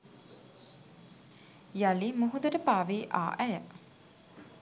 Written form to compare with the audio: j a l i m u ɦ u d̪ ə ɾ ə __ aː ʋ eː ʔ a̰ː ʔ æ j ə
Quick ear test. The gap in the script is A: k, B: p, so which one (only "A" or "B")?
B